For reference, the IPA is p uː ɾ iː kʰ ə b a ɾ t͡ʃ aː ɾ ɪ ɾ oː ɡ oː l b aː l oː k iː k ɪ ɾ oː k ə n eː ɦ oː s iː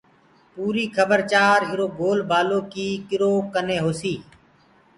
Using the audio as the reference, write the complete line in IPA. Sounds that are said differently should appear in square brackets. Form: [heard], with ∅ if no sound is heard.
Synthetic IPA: p uː ɾ iː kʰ ə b [ə] ɾ t͡ʃ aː ɾ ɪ ɾ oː ɡ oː l b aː l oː k iː k ɪ ɾ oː k ə n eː ɦ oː s iː